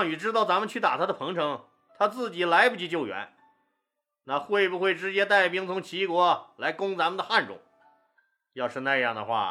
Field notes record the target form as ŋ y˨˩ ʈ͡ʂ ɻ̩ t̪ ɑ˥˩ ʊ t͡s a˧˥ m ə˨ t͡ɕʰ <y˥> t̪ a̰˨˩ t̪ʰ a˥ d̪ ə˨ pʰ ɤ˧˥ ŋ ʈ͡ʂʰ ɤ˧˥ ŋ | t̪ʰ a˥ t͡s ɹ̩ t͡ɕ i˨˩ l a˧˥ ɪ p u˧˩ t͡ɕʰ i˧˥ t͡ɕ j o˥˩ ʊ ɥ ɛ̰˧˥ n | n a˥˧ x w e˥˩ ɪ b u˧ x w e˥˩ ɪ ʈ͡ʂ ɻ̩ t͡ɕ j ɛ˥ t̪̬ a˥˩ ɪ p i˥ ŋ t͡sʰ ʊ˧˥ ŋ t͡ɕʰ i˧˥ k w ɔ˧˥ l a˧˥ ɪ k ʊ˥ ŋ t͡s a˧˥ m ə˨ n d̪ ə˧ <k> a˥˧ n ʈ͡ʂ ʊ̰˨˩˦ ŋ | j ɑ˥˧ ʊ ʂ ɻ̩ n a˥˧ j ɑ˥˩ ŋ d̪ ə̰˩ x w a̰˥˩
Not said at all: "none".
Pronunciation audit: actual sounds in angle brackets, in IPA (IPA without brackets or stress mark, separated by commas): y˥˩, x